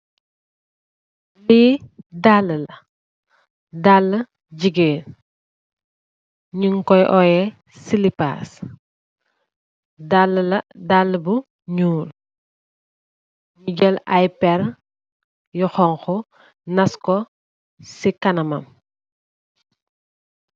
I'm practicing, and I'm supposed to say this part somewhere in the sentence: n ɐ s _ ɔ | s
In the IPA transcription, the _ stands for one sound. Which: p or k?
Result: k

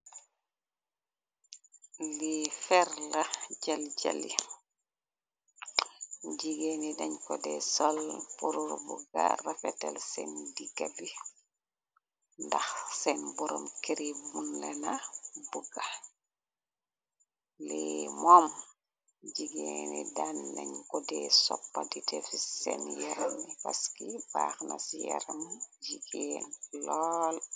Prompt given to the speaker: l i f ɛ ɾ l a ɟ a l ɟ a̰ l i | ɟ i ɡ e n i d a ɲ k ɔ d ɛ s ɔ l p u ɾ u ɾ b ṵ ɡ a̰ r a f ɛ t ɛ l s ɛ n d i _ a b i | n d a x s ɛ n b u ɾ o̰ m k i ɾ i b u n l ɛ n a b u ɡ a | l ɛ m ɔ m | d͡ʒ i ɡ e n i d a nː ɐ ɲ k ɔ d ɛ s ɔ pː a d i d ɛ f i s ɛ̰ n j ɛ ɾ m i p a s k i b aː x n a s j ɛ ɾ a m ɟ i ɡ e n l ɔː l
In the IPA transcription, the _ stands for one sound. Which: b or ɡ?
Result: ɡ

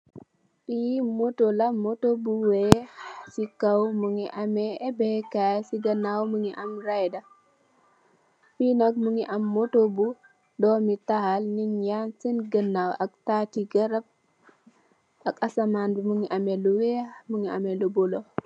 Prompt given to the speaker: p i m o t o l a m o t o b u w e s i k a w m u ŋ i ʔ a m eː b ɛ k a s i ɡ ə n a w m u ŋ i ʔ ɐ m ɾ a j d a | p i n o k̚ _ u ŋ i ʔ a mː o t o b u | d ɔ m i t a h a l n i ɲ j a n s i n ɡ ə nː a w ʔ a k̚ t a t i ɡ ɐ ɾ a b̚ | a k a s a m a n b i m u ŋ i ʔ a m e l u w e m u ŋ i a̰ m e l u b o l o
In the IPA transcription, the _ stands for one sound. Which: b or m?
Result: m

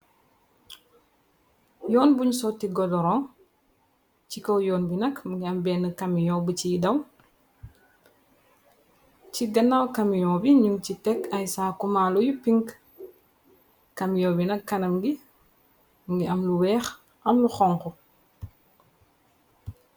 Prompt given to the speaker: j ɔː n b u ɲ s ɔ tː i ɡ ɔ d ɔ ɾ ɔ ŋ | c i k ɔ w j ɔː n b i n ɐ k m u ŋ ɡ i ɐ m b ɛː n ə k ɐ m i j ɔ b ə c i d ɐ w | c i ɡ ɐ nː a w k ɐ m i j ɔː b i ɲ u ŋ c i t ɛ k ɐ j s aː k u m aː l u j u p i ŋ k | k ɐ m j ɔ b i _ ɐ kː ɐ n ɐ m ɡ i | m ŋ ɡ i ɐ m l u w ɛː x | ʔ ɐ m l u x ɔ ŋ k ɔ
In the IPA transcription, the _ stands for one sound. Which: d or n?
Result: n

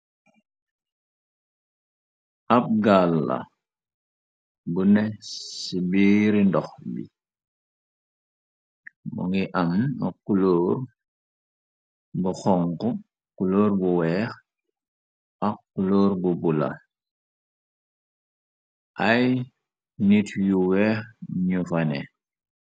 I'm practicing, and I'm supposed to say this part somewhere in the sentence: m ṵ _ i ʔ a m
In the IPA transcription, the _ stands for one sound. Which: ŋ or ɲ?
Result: ŋ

